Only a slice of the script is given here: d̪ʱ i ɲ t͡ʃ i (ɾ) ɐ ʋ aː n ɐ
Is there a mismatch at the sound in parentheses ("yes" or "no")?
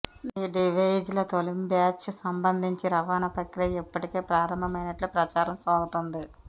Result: no